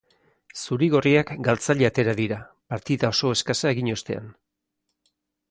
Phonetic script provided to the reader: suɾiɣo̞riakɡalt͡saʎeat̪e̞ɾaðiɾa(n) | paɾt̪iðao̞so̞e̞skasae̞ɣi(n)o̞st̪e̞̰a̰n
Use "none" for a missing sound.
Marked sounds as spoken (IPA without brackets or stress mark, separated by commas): none, ɲ